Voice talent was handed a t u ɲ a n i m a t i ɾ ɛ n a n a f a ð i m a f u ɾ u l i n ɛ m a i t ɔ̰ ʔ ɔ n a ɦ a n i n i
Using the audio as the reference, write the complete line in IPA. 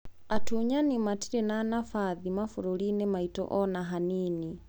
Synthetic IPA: a t u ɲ a n i m a t i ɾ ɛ n a n a f a ð i m a f u ɾ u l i n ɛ m a i t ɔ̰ ʔ ɔ n a ɦ a n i n i